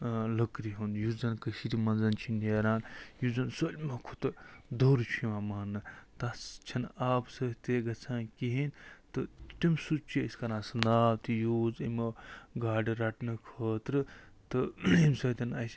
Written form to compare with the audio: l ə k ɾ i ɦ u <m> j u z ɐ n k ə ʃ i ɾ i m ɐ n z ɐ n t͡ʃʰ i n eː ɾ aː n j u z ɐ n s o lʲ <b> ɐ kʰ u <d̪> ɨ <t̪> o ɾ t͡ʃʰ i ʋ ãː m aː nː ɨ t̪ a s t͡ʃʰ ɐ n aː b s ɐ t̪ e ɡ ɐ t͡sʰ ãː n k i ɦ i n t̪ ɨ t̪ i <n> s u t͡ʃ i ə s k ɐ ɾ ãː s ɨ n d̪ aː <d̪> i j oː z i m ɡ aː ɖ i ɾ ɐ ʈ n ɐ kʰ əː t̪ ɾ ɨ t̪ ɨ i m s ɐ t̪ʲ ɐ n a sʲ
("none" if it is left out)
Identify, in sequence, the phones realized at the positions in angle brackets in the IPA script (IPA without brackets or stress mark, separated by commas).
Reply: n, m, t̪, d̪, m, t̪